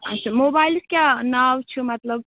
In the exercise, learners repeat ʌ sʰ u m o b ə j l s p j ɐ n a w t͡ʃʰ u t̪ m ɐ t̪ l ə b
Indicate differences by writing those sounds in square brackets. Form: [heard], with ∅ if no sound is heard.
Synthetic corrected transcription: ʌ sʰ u m o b [a] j l s [k] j [a] n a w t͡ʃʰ u [∅] m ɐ t̪ l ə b